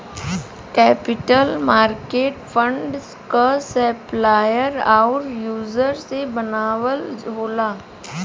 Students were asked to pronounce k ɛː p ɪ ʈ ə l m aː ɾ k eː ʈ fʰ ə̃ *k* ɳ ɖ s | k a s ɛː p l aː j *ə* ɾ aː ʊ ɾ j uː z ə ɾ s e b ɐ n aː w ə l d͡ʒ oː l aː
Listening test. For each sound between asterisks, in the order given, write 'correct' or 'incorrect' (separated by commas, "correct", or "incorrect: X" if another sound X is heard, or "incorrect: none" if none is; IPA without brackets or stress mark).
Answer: incorrect: none, correct